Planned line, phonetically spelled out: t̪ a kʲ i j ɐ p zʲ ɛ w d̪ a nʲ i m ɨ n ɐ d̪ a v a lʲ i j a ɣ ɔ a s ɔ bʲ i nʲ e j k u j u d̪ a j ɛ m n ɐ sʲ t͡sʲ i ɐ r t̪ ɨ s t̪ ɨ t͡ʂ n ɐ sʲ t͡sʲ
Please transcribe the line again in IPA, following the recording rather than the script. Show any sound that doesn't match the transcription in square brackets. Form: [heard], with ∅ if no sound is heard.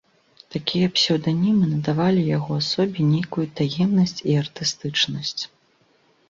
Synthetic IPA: t̪ a kʲ i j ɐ p [sʲ] ɛ w d̪ a nʲ i m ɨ n ɐ d̪ a v a lʲ i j a ɣ ɔ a s ɔ bʲ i nʲ e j k u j u [t̪] a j ɛ m n ɐ sʲ t͡sʲ i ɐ r t̪ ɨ s t̪ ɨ t͡ʂ n ɐ sʲ t͡sʲ